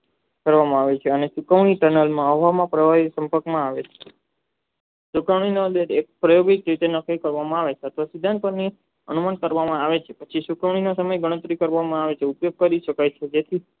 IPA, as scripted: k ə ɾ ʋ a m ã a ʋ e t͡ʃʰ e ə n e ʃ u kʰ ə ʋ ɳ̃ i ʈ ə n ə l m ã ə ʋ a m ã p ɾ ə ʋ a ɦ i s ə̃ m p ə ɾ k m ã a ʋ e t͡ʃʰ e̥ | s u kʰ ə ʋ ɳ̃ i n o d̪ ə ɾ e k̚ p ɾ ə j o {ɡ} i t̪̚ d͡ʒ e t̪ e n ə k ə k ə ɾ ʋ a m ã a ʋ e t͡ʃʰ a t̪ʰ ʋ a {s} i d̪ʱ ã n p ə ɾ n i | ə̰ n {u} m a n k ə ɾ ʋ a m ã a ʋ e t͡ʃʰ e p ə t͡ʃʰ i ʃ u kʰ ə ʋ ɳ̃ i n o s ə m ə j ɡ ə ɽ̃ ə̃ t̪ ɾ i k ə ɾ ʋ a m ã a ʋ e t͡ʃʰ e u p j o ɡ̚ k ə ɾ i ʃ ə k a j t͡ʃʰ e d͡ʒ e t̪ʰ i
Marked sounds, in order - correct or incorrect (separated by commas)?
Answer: correct, correct, correct